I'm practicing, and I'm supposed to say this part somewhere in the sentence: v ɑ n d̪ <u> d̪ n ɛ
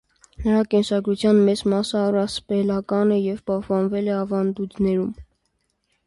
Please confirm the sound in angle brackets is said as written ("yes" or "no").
yes